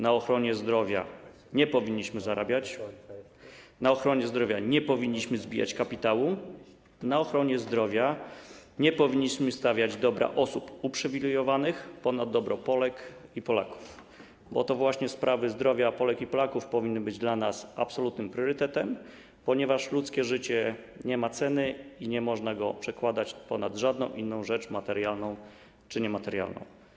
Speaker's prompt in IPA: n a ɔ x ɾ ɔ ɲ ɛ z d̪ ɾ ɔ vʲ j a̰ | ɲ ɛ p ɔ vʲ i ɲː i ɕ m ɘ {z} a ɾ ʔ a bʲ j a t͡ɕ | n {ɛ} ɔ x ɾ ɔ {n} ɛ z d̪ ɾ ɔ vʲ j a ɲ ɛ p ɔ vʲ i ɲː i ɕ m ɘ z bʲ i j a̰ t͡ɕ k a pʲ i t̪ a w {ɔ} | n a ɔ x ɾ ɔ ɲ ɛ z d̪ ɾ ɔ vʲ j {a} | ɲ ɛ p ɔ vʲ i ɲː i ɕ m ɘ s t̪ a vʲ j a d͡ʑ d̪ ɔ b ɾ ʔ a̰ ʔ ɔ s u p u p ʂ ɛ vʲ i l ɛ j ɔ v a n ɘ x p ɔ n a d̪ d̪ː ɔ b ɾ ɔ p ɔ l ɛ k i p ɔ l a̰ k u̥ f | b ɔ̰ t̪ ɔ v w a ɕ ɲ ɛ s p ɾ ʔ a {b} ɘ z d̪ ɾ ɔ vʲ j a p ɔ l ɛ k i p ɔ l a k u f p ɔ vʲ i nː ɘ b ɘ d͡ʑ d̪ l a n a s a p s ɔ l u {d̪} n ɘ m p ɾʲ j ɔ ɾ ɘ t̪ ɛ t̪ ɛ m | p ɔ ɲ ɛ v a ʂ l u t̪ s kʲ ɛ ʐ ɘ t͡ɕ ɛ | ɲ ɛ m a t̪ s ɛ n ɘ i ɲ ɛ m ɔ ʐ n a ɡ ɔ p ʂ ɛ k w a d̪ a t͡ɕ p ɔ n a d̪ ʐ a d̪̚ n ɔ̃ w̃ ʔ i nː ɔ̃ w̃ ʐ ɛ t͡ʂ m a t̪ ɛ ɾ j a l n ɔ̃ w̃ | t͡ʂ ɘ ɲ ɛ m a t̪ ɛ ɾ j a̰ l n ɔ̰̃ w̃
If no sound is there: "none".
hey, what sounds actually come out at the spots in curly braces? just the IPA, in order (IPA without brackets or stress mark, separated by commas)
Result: z, a, ɲ, u, a, v, t̪